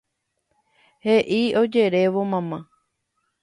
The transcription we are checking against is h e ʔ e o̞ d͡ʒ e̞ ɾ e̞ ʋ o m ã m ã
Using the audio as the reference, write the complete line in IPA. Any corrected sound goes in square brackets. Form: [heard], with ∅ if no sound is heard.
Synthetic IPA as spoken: h e ʔ [i] o̞ d͡ʒ e̞ ɾ e̞ ʋ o m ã m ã